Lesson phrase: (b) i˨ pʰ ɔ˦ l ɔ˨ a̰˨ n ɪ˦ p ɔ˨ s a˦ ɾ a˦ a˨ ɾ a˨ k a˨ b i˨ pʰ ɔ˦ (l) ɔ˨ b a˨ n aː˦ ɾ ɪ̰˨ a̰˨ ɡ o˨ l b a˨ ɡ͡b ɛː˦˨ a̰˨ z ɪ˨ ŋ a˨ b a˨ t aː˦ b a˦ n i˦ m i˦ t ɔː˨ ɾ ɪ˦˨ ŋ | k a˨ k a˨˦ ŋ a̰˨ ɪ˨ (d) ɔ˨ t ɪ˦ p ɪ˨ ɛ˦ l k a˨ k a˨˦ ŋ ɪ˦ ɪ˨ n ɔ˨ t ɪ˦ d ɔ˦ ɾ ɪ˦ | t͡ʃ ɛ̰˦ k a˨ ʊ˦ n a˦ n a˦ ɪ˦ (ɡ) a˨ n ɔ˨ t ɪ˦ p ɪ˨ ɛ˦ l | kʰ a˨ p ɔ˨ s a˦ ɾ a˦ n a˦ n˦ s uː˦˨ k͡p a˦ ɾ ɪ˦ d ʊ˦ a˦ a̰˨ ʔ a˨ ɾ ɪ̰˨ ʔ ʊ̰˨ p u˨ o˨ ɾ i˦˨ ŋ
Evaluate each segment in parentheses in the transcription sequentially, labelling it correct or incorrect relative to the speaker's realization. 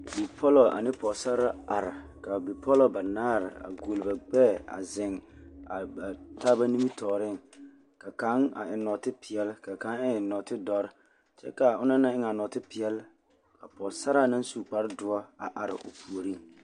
correct, correct, incorrect: n, incorrect: ŋ

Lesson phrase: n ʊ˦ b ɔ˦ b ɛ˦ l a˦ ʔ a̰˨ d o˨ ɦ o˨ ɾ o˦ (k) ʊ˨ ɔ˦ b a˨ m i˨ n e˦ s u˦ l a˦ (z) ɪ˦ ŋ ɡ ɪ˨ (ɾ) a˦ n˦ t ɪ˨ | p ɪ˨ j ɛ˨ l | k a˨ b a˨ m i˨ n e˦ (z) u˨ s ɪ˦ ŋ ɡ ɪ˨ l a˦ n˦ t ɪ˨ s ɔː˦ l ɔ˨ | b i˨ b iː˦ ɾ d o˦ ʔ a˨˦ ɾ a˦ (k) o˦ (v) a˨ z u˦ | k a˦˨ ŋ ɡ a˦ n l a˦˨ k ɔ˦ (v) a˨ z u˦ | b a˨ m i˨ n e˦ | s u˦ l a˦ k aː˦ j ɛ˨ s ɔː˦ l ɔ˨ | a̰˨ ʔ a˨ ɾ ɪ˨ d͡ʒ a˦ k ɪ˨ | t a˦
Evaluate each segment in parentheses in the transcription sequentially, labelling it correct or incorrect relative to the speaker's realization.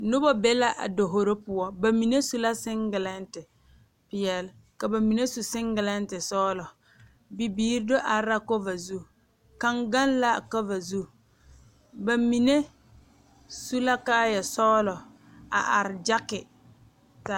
incorrect: p, incorrect: s, incorrect: l, incorrect: s, correct, correct, correct

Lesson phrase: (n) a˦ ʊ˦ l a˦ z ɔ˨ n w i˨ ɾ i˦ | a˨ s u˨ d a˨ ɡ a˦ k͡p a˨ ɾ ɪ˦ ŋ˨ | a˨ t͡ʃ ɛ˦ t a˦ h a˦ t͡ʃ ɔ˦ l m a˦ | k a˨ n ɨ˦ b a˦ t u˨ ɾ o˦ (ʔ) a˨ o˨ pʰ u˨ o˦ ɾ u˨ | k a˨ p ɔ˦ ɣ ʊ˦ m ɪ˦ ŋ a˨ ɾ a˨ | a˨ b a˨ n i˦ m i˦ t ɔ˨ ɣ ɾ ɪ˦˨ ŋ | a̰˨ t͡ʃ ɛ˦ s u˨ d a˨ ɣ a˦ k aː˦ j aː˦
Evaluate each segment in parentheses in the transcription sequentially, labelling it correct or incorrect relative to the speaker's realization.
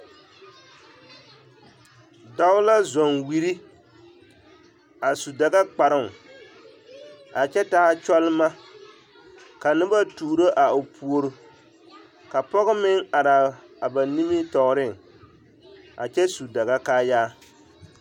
incorrect: d, correct

